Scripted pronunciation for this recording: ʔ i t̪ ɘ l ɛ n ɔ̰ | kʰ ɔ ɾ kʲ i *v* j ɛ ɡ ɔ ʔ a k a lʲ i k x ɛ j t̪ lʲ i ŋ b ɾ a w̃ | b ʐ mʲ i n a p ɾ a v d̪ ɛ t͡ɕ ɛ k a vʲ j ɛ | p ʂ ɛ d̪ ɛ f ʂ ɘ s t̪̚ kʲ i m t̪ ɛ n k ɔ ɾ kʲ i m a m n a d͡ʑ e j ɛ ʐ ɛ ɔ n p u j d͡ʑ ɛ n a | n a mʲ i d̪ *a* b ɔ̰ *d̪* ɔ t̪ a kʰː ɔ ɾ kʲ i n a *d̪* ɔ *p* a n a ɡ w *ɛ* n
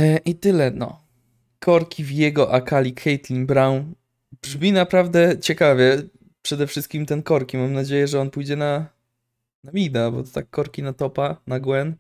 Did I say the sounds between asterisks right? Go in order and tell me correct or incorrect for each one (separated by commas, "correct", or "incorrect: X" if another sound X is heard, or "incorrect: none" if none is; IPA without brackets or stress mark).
correct, correct, incorrect: t̪, incorrect: t̪, correct, correct